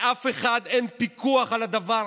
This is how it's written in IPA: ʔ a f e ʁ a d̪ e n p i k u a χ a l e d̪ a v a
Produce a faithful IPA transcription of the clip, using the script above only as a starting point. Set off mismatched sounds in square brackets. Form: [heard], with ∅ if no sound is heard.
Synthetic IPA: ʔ a f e [χ] a d̪ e n p i k u a χ a l [a] d̪ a v a